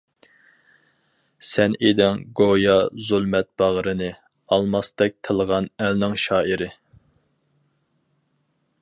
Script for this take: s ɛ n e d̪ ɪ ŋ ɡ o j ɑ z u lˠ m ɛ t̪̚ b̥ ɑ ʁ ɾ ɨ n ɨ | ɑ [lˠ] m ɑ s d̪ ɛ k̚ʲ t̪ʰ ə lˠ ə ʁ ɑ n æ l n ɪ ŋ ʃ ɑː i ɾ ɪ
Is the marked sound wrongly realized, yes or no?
no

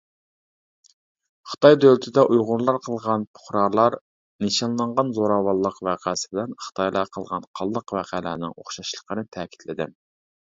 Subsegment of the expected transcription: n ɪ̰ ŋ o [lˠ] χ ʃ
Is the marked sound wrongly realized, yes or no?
yes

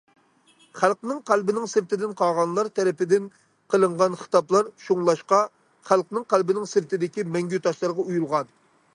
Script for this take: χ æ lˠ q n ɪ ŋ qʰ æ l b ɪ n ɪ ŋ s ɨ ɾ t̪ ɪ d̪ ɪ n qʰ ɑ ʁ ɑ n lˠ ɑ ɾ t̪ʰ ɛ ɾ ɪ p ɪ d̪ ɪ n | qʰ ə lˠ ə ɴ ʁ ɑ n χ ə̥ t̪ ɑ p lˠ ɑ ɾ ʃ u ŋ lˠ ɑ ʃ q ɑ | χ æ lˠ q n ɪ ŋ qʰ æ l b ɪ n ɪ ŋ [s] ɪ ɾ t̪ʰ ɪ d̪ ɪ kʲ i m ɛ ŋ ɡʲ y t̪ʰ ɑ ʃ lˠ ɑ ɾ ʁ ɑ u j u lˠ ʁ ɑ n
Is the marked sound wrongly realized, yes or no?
no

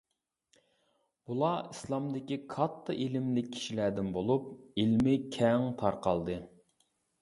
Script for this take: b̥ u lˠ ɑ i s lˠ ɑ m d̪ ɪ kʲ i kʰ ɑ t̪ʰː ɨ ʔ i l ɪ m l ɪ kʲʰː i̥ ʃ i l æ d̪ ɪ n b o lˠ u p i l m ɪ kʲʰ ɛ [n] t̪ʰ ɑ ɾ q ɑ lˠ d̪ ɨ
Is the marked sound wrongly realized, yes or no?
yes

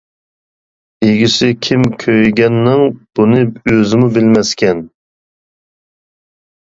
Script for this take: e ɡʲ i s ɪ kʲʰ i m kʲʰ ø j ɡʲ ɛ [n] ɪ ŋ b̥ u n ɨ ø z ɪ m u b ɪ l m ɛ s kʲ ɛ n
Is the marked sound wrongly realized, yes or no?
yes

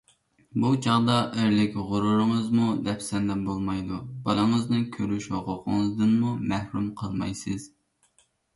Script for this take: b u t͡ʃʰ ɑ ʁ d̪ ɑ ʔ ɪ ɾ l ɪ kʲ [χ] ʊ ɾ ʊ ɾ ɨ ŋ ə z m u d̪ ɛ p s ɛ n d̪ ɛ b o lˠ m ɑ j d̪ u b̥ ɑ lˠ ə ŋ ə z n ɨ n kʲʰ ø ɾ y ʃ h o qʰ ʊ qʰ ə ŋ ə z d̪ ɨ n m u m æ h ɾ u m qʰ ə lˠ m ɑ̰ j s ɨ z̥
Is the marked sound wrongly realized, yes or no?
yes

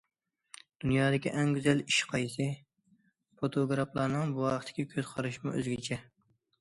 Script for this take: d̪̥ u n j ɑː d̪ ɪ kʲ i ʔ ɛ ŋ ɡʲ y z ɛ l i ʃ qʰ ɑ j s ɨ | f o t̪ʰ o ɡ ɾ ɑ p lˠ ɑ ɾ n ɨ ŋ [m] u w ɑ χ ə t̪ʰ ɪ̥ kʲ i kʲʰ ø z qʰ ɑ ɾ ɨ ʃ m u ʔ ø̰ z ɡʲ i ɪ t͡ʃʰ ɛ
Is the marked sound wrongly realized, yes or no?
yes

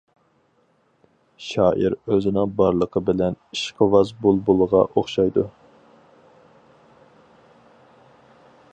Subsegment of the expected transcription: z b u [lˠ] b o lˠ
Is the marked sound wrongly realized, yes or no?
no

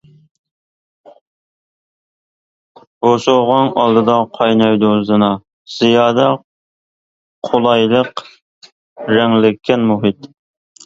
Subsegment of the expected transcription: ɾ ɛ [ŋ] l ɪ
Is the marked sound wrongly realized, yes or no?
no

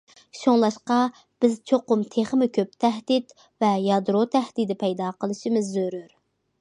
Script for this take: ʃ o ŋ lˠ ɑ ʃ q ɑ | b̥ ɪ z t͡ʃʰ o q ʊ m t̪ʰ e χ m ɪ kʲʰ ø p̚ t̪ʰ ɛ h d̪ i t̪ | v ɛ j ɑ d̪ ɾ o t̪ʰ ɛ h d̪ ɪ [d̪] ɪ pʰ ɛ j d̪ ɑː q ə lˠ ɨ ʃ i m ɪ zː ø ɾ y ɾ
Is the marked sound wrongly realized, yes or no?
no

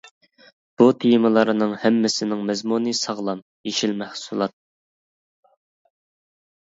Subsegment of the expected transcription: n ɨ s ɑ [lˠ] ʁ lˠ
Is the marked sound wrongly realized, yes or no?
yes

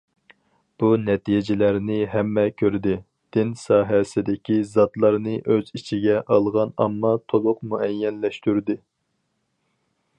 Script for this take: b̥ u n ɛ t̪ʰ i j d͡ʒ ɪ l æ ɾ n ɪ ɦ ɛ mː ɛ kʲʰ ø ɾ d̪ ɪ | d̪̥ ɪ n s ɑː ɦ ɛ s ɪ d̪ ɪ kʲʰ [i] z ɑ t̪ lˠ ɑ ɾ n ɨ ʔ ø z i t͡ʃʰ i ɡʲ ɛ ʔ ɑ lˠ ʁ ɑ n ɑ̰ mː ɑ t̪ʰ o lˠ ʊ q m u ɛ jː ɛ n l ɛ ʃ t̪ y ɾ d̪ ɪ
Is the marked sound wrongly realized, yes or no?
no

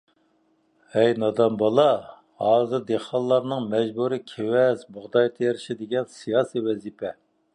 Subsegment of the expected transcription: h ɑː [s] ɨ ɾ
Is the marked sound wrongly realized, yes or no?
yes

